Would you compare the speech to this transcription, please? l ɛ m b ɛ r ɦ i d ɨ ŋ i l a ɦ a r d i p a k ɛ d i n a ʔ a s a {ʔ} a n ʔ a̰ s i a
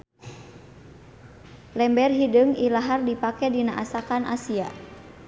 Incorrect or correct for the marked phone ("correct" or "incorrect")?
incorrect